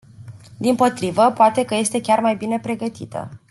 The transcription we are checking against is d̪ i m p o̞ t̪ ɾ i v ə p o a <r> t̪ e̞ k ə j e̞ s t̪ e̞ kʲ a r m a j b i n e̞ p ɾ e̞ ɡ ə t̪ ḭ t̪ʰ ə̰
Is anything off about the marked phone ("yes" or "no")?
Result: yes